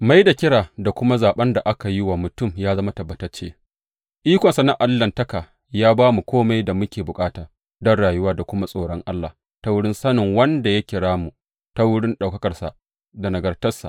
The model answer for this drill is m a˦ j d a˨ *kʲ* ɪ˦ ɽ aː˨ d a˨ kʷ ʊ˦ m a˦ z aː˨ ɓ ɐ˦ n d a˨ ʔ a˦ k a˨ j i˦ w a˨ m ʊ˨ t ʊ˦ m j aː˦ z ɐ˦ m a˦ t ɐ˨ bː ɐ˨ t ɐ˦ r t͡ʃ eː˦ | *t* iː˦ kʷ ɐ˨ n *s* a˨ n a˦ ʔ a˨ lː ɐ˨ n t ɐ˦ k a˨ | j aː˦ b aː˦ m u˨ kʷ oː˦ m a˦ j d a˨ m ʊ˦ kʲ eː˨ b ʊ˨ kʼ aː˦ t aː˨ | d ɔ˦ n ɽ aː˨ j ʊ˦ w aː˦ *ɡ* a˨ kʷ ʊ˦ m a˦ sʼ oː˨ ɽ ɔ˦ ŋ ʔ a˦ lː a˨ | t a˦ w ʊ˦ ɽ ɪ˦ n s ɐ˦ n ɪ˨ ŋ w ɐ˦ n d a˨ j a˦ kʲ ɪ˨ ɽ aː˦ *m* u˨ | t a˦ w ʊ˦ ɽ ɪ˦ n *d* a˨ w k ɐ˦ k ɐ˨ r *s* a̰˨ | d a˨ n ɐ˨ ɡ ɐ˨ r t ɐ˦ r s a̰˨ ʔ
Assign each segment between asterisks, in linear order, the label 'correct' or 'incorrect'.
correct, incorrect: ʔ, correct, incorrect: d, correct, incorrect: ɗ, correct

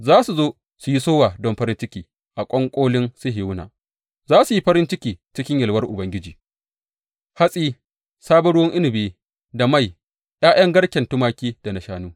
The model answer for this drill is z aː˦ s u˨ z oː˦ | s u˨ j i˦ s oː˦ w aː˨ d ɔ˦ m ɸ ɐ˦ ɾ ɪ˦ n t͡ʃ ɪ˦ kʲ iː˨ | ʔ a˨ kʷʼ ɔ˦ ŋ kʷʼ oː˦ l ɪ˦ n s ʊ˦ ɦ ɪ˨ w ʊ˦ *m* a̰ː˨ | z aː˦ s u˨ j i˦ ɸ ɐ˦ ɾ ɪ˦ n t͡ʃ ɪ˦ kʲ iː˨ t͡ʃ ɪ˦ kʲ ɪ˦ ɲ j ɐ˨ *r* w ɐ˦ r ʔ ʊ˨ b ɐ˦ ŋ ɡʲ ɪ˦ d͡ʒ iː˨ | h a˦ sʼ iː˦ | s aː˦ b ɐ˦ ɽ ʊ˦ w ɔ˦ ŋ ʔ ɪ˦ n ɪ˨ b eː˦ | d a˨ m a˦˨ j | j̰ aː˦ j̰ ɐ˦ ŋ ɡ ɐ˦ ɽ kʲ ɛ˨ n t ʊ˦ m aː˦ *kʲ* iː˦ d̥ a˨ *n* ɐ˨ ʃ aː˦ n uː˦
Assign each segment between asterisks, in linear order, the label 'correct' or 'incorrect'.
incorrect: n, incorrect: l, correct, correct

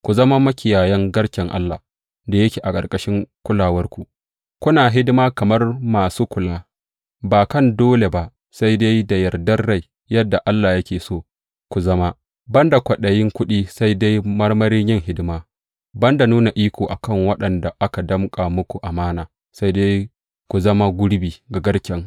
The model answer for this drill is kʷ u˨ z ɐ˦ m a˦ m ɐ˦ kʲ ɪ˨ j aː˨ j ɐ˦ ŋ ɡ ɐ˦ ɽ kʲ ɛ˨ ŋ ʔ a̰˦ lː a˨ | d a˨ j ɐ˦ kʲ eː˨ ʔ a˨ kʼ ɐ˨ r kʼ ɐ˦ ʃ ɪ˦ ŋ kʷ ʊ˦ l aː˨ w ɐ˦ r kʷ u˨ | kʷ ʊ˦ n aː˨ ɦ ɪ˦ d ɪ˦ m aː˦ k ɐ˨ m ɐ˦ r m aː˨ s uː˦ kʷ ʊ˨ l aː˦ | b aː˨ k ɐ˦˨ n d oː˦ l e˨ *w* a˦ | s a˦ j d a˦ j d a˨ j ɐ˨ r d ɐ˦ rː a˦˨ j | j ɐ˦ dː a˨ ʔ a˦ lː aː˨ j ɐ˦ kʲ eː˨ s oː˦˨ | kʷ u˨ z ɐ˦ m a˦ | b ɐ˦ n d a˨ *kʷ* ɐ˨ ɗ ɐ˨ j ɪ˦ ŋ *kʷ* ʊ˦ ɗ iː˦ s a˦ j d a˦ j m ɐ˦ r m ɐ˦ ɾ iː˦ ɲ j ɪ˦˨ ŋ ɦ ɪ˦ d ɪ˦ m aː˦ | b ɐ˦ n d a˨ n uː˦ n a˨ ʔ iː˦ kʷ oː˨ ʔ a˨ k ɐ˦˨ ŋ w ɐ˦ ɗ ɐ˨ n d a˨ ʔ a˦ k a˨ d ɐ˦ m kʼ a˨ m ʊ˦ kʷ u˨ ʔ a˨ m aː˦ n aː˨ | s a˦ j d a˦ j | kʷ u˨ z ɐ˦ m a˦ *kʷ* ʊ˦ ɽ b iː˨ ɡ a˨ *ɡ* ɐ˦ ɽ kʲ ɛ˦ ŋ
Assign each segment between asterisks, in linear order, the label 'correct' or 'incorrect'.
incorrect: b, correct, correct, incorrect: ɡʷ, correct

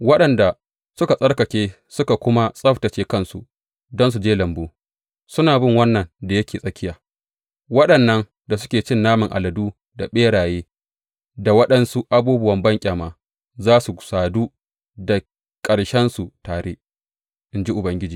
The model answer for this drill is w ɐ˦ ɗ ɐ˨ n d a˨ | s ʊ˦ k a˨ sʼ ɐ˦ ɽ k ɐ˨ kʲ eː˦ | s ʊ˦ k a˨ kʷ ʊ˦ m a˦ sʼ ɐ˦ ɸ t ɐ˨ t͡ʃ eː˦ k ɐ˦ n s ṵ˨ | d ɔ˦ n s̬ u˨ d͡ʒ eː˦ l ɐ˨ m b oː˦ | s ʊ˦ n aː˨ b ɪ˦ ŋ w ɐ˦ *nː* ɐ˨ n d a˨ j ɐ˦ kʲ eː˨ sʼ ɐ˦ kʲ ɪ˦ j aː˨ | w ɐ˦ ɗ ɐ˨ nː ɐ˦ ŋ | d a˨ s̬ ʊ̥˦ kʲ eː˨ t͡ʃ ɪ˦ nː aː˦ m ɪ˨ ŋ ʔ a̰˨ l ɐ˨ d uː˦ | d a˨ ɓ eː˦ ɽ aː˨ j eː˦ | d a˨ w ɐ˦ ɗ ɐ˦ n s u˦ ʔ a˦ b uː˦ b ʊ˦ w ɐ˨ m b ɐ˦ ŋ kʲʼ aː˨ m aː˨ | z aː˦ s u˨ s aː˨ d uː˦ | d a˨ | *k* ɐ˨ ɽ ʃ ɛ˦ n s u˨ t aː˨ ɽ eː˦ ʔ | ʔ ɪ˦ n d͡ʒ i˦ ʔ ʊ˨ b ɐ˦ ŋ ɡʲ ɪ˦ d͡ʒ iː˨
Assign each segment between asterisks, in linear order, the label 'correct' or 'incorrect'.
correct, incorrect: kʼ

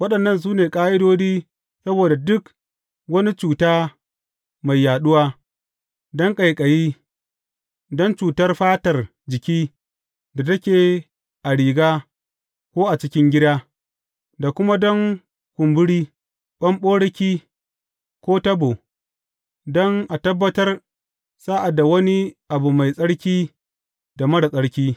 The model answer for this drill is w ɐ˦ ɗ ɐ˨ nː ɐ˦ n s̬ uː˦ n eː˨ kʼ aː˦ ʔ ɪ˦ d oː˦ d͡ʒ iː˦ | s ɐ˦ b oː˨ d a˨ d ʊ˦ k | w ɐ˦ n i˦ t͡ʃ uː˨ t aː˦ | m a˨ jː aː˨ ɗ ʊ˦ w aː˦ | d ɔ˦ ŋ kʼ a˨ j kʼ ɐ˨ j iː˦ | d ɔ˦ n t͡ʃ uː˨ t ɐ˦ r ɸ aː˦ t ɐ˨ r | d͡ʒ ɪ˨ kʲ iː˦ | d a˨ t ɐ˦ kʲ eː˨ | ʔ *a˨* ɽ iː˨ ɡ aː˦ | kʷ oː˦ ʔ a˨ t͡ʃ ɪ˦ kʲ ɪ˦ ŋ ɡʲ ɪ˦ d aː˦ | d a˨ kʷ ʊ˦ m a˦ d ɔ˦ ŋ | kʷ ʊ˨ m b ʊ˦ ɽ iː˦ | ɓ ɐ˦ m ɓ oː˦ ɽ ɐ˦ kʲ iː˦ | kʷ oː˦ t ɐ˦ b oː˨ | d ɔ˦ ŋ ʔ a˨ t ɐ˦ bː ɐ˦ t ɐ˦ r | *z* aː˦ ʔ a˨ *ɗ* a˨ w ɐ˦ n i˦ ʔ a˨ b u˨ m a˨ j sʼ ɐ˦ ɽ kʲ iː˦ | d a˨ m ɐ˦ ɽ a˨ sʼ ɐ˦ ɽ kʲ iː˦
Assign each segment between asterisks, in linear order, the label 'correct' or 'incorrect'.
correct, incorrect: s, incorrect: d

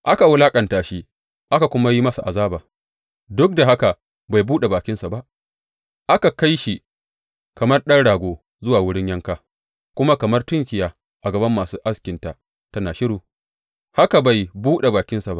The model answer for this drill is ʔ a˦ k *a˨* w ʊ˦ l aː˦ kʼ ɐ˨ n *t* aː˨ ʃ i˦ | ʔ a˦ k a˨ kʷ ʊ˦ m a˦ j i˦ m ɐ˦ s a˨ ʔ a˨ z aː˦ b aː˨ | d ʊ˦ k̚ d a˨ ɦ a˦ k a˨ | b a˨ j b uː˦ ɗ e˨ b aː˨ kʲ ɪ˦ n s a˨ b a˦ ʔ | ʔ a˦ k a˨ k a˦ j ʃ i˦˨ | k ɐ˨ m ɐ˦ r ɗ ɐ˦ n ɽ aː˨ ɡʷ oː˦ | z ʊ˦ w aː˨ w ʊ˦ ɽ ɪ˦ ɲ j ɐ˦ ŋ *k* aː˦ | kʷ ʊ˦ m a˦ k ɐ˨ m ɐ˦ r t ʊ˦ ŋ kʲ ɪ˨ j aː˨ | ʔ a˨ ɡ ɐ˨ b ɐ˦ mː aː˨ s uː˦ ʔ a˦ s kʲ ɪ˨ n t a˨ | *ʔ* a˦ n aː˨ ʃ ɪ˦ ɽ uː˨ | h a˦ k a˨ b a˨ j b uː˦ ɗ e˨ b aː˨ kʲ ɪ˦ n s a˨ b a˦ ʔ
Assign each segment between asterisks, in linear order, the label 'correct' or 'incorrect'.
correct, correct, correct, incorrect: t

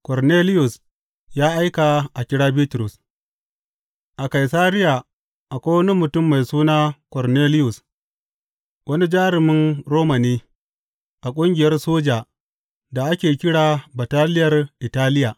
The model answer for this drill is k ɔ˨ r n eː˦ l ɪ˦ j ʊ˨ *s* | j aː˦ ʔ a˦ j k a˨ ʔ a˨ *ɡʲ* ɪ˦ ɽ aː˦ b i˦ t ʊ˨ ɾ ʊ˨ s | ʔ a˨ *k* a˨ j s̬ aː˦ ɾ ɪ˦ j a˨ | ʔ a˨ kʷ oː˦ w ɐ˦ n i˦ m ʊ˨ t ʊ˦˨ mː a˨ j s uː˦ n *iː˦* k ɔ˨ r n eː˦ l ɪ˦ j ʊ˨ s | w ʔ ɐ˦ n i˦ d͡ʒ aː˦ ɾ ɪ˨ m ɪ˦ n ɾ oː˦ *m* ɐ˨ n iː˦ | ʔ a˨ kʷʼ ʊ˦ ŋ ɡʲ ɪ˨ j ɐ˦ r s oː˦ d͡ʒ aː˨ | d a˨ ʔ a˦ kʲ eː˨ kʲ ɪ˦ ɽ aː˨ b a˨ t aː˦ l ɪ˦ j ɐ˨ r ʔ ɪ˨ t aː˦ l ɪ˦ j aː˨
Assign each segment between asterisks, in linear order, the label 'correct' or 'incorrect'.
correct, incorrect: kʲ, correct, incorrect: aː˦, correct

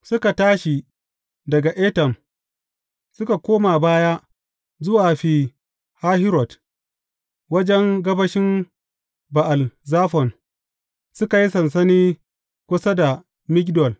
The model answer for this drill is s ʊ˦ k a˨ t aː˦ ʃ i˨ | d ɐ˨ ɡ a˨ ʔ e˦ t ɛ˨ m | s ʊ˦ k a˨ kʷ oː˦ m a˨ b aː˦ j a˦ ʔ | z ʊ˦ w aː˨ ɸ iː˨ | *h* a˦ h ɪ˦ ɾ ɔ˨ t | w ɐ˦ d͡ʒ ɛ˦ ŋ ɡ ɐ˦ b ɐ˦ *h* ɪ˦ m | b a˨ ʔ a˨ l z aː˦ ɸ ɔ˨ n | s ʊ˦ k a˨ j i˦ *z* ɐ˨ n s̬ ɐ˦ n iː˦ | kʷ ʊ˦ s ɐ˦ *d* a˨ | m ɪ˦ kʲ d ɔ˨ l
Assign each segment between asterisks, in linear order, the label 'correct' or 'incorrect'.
correct, incorrect: ʃ, incorrect: s, correct

